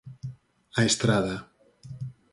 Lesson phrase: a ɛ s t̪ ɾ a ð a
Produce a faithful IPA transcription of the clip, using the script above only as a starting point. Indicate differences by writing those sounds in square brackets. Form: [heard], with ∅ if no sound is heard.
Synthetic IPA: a [e] s t̪ ɾ a ð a